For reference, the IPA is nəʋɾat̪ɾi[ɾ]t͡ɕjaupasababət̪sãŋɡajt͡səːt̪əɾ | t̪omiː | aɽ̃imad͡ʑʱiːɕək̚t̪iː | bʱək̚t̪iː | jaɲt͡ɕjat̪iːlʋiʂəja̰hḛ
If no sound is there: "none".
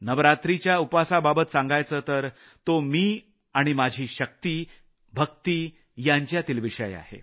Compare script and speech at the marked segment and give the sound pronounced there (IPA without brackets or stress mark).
none